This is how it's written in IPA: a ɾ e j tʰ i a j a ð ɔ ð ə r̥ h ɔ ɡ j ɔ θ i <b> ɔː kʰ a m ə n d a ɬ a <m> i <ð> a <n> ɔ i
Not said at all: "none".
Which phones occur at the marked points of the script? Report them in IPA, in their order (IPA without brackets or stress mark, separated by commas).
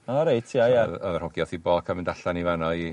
b, n, v, n